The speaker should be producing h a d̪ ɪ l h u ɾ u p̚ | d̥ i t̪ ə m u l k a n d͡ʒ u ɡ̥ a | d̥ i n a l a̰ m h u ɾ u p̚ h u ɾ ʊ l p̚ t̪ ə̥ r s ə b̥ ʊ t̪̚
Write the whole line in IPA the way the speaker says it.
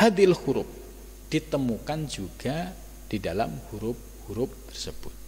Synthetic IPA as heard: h a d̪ ɪ l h u ɾ ʊ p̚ | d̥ i t̪ ə m u k a n d͡ʒ u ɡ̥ a | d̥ i d a l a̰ m h u ɾ ʊ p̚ h u ɾ ʊ p̚ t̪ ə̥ r s ə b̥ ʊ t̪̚